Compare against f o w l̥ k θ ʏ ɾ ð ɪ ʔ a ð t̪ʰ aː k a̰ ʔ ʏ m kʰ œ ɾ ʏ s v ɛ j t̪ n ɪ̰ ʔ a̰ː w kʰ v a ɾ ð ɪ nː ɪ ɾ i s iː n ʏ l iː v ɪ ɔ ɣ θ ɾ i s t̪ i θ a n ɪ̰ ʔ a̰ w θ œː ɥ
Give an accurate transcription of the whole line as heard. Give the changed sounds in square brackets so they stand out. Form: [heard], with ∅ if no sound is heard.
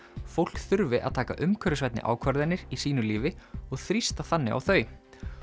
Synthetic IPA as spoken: f o w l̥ k θ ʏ ɾ [v] ɪ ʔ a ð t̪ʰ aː k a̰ ʔ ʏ m kʰ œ ɾ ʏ s v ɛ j t̪ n ɪ̰ ʔ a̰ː w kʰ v a ɾ ð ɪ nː ɪ ɾ i s iː n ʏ l iː v ɪ ɔ ɣ θ ɾ i s t̪ [a] θ a [nː] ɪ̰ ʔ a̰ w θ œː ɥ

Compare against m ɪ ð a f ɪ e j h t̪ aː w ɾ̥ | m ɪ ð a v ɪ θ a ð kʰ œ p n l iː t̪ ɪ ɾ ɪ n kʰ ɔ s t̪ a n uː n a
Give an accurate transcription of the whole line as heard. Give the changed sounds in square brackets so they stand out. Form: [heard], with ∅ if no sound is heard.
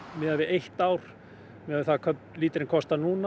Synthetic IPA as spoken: m ɪ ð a [v] ɪ e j h t̪ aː w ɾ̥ | m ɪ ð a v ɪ θ a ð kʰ œ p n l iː t̪ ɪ ɾ ɪ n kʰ ɔ s t̪ a n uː n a

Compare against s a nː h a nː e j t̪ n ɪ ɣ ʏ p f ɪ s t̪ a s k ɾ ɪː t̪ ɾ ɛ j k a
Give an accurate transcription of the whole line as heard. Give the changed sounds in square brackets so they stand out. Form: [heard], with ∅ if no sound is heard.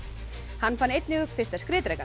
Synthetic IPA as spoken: [h] a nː [f] a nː e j t̪ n ɪ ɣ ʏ p f ɪ s t̪ a s k ɾ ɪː t̪ ɾ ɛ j k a

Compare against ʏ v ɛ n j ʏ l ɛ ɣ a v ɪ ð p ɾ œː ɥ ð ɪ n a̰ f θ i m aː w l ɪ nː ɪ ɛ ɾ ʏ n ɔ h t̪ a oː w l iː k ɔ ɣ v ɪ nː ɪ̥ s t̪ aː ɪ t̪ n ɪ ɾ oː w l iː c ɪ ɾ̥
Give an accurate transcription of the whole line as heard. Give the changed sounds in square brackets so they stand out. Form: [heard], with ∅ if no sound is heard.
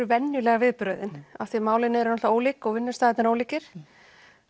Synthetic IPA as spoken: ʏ v ɛ n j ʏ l ɛ ɣ a v ɪ ð p ɾ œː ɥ ð ɪ n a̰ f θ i m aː w l ɪ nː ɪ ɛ ɾ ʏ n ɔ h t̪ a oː w l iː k ɔ ɣ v ɪ nː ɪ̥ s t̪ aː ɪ t̪ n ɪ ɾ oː w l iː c ɪ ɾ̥

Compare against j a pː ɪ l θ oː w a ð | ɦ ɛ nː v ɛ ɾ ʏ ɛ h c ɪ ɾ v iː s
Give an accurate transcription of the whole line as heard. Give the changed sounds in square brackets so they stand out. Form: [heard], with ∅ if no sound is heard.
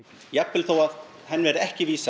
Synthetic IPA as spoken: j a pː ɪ l θ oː w a ð | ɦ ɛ nː v ɛ ɾ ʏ ɛ h c ɪ [∅] v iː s

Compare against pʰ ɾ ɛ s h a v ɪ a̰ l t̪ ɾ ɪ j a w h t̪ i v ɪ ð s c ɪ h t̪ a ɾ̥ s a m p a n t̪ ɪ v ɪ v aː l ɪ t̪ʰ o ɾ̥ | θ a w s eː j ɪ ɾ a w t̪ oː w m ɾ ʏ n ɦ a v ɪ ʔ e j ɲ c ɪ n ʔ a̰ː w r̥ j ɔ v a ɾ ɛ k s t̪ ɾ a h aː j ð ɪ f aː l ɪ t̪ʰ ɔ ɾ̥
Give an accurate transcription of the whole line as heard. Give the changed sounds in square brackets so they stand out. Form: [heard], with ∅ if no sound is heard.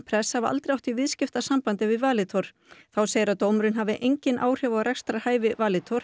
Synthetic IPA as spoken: pʰ ɾ ɛ s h a v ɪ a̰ l t̪ ɾ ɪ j a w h t̪ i v ɪ ð s c ɪ [f] t̪ a [∅] s a m p a n t̪ ɪ v ɪ v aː l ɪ t̪ʰ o ɾ̥ | θ a w s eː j ɪ ɾ a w t̪ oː w m ɾ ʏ n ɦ a v ɪ ʔ e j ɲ c ɪ n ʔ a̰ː w r̥ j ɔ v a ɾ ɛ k s t̪ ɾ a h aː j [v] ɪ [v] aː l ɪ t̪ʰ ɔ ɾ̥

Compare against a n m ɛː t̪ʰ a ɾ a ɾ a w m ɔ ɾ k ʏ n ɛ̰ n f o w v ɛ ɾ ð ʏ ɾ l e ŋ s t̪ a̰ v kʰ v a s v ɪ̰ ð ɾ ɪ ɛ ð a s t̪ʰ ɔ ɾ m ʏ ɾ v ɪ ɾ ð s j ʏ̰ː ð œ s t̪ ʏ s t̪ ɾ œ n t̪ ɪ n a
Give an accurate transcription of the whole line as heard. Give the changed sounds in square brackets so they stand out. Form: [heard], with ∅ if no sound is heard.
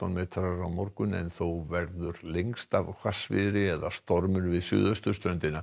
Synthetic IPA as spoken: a n m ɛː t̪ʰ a ɾ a ɾ a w m ɔ ɾ k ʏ n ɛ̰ n [θ] o w v ɛ ɾ ð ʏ ɾ l e ŋ s t̪ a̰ v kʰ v a s v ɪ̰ ð ɾ ɪ ɛ ð a s [t̪] ɔ ɾ m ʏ ɾ v ɪ [∅] ð s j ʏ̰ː ð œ s t̪ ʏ s t̪ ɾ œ n t̪ ɪ n a

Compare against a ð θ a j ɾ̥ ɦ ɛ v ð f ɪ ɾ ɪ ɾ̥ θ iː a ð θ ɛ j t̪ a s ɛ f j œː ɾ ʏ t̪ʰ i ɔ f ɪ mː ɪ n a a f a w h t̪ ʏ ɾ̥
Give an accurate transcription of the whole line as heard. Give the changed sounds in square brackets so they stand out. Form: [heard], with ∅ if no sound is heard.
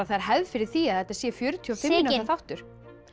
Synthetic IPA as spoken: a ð θ a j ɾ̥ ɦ ɛ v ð f ɪ ɾ ɪ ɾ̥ θ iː a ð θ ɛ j t̪ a s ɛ f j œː ɾ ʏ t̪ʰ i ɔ f ɪ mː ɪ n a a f a w h t̪ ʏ ɾ̥

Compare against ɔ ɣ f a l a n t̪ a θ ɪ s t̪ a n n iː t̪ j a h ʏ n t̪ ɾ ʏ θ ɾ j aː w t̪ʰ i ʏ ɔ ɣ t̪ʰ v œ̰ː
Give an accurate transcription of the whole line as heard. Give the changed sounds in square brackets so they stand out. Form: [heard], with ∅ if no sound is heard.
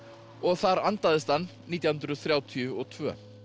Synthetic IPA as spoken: ɔ ɣ [θ] a [ɾ] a n t̪ a [ð] ɪ s t̪ a n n iː t̪ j a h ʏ n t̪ ɾ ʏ θ ɾ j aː w t̪ʰ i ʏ ɔ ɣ t̪ʰ v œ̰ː

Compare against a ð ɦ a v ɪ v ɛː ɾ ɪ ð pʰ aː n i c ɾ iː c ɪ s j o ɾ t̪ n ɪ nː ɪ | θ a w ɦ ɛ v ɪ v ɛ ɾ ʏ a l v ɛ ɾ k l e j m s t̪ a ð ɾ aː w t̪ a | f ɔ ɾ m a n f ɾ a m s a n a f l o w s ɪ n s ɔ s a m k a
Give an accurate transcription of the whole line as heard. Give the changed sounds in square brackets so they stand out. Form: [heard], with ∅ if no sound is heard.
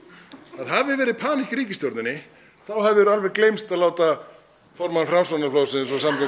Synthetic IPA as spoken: a ð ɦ a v ɪ v ɛː ɾ ɪ ð pʰ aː n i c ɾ iː c ɪ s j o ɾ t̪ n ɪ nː ɪ | θ a w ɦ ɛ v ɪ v ɛ ɾ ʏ a l v ɛ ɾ k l e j m s t̪ a ð [l] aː w t̪ a | f ɔ ɾ m a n f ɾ a m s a n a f l o w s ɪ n s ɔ s a m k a

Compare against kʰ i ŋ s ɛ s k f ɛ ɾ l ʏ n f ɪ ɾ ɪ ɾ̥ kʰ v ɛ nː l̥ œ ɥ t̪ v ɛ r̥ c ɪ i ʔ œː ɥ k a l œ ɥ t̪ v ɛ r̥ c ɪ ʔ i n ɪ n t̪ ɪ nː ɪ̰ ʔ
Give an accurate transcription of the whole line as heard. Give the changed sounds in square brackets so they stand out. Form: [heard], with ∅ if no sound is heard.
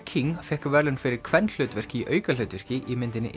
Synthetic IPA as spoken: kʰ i ŋ [f] ɛ [h] k [v] ɛ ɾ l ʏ n f ɪ ɾ ɪ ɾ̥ kʰ v ɛ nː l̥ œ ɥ t̪ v ɛ r̥ c ɪ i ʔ œː ɥ k a l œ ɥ t̪ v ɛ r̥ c ɪ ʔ i [m] ɪ n t̪ ɪ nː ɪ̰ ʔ

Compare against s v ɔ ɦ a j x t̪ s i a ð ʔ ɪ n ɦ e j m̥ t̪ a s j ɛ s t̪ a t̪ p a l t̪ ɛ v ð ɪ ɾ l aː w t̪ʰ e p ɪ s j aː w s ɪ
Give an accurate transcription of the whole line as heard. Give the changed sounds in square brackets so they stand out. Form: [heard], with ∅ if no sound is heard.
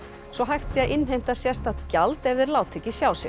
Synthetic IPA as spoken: s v ɔ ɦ a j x t̪ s i a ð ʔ ɪ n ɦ e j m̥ t̪ a s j ɛ s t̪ a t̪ [c] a l t̪ ɛ v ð ɪ ɾ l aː w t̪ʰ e [c] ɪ s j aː w s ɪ

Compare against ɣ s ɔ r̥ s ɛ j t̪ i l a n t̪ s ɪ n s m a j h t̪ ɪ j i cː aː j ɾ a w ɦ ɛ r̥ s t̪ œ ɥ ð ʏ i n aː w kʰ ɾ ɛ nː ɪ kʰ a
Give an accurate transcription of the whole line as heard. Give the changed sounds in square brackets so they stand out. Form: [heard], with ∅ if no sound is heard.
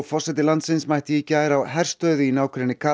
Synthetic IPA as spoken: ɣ [f] ɔ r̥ s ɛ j t̪ [ɪ] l a n t̪ s ɪ n s m a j h t̪ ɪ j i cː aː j ɾ a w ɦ ɛ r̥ s t̪ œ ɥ ð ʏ i n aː w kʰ ɾ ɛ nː ɪ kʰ a

